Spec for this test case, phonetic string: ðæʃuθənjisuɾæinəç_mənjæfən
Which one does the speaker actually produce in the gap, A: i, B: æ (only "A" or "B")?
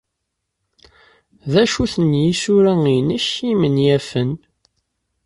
A